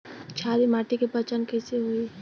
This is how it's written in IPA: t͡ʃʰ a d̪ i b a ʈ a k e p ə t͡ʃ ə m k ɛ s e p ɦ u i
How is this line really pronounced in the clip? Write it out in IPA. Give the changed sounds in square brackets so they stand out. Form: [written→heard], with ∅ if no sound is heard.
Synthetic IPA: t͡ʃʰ a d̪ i [b→m] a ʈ [a→i] k e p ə t͡ʃ ə [m→n] k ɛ s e [p→∅] ɦ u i